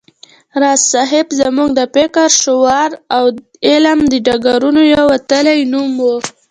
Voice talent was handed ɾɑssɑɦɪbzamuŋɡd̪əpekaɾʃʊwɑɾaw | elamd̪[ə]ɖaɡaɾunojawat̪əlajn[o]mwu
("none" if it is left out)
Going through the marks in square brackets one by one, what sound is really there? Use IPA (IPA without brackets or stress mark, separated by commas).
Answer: ə, u